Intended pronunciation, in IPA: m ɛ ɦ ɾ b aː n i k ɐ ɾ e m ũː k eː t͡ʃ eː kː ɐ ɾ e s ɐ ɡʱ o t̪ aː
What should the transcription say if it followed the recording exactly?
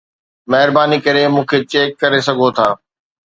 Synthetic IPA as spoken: m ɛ ɦ ɾ b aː n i k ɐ ɾ e m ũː kʰ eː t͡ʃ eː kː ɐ ɾ e s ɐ ɡʱ o t̪ʰ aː